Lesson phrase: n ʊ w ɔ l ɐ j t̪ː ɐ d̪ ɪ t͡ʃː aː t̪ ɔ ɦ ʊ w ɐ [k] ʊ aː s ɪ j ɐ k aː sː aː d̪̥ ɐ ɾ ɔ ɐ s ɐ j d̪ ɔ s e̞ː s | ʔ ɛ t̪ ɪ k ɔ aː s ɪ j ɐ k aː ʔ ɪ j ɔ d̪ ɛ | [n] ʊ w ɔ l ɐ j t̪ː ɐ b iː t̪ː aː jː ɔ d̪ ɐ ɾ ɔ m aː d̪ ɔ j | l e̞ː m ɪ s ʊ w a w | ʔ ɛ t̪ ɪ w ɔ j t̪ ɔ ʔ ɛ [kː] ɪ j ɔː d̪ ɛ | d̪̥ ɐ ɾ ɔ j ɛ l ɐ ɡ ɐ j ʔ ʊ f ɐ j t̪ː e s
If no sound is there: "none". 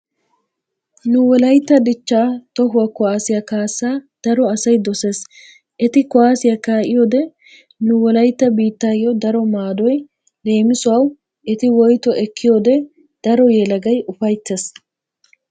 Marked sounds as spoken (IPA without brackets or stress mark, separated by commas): k, n, kː